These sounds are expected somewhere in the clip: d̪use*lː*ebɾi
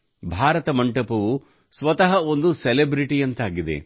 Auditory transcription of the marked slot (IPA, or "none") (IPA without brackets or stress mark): l